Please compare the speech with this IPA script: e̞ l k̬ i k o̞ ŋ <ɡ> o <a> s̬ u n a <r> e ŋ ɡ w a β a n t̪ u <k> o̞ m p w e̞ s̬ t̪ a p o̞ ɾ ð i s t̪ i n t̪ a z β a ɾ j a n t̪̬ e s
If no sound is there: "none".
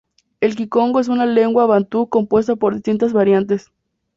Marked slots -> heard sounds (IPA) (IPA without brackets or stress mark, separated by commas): ɡ, e, l, k